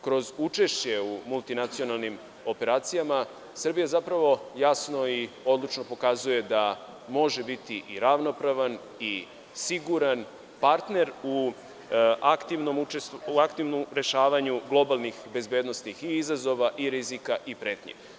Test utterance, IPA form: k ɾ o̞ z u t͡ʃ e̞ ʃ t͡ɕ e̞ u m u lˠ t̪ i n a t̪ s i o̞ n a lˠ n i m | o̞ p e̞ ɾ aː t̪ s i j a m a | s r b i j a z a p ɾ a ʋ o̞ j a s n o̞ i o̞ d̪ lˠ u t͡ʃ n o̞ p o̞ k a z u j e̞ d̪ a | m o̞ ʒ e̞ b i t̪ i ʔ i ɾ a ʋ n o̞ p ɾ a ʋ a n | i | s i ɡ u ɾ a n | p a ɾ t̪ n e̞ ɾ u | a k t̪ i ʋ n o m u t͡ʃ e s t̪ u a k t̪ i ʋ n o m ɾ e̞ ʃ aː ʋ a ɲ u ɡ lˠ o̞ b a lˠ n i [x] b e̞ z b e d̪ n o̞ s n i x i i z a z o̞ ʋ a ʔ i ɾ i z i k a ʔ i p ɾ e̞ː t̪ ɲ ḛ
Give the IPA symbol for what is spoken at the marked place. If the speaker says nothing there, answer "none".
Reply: x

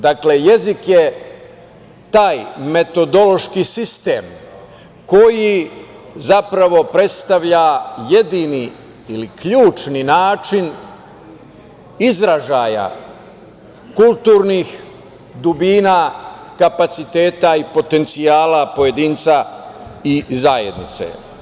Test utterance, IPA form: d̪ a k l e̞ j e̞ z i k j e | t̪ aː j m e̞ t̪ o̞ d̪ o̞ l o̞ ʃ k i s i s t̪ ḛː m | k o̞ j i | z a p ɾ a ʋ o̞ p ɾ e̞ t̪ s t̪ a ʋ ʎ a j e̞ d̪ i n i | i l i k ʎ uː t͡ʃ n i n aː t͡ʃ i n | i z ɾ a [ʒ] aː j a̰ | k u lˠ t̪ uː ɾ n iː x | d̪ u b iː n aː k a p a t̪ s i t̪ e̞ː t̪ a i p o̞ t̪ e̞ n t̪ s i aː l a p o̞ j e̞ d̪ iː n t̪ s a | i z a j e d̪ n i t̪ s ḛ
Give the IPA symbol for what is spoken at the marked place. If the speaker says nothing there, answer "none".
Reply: ʒ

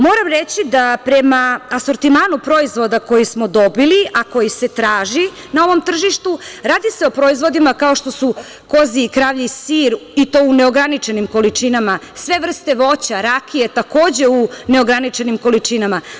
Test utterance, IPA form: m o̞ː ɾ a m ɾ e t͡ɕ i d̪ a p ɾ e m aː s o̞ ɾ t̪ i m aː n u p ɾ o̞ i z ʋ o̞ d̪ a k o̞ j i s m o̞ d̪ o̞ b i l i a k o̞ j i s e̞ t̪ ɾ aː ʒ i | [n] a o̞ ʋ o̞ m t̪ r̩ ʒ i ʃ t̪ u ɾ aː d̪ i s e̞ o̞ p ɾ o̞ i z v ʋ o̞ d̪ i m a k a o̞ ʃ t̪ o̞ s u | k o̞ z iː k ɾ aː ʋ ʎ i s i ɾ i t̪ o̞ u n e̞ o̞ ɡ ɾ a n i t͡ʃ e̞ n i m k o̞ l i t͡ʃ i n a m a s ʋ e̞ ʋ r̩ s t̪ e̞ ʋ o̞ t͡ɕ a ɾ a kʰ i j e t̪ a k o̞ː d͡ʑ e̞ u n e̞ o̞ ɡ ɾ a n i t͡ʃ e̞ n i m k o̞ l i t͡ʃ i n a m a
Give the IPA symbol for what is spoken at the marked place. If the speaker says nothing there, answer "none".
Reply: n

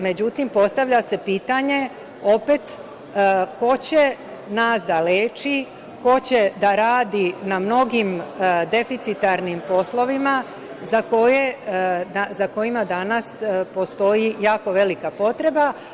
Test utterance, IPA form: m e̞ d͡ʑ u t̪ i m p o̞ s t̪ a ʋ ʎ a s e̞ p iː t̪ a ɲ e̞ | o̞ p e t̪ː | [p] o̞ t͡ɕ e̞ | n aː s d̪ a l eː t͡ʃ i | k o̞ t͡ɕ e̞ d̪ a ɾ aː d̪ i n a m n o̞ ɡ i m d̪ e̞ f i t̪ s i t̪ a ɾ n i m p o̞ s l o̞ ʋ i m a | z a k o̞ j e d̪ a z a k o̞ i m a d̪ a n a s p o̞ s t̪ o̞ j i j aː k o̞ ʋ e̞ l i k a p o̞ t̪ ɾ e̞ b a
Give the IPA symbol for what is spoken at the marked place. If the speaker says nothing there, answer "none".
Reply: k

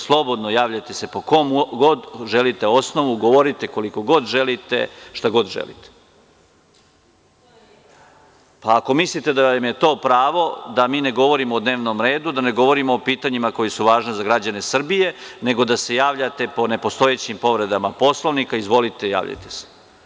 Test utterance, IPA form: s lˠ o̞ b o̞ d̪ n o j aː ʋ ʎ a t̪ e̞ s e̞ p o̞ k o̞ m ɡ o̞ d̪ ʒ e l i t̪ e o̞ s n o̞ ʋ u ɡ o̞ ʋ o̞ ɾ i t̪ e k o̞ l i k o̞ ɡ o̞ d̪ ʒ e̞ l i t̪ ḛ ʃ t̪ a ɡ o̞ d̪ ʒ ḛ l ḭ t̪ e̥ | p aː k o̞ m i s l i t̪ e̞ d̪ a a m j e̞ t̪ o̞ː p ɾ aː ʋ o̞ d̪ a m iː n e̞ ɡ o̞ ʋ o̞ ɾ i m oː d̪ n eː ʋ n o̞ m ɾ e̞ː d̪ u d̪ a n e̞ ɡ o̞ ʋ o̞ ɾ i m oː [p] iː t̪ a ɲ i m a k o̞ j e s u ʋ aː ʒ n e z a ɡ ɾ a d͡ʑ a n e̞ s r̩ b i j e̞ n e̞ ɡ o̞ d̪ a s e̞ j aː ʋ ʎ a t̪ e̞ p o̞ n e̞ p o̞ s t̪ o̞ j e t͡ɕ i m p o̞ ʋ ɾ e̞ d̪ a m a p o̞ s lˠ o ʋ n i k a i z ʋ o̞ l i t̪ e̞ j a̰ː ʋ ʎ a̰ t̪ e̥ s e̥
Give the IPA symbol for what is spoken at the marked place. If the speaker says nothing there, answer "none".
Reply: p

